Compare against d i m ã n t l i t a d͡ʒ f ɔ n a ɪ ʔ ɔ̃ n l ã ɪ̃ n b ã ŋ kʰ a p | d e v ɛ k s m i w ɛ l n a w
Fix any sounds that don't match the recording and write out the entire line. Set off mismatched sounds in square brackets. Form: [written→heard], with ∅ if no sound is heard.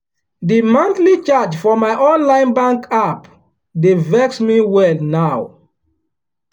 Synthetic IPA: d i m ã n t l i [t→t͡ʃ] a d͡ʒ f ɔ [n→m] a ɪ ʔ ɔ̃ n l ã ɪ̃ n b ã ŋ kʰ a p | d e v ɛ k s m i w ɛ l n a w